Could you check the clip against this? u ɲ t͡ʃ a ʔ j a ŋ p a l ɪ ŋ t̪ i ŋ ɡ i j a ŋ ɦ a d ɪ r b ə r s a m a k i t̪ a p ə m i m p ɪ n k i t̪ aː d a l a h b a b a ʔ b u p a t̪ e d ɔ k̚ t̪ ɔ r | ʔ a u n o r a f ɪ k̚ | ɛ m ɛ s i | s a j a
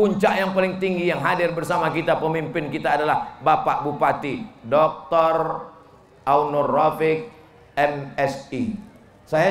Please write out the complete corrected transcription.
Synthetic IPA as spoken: u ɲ t͡ʃ a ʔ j a ŋ p a l ɪ ŋ t̪ i ŋ ɡ i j a ŋ ɦ a d ɪ r b ə r s a m a k i t̪ a p ə m i m p ɪ n k i t̪ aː d a l a h b a p a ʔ b u p a t̪ i d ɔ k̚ t̪ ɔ r | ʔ a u n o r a f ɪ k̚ | ɛ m ɛ s i | s a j a